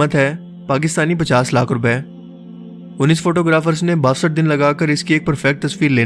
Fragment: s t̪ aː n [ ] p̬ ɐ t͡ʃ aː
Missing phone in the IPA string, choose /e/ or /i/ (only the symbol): i